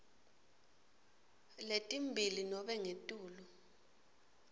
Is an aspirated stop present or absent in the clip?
absent